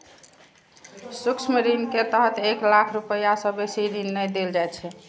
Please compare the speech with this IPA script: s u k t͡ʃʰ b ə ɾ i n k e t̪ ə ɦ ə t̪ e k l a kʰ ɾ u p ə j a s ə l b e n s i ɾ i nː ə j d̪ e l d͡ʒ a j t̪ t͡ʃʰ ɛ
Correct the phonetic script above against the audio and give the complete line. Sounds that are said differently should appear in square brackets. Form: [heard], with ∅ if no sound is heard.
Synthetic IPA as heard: s u k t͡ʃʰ [m] ə ɾ i n k e t̪ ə ɦ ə t̪ e k l a kʰ ɾ u p ə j a s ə [∅] b e [∅] s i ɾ i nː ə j d̪ e l d͡ʒ a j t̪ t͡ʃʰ ɛ